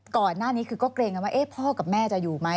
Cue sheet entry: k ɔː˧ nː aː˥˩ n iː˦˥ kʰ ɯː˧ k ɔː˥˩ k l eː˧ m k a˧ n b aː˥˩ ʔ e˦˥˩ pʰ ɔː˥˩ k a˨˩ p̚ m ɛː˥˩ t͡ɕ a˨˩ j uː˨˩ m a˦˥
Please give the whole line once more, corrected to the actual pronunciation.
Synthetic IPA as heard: k ɔː˨˩ nː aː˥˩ n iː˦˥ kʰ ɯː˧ k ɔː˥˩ k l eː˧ ŋ k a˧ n w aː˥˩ ʔ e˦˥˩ pʰ ɔː˥˩ k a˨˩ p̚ m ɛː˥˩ t͡ɕ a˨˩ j uː˨˩ m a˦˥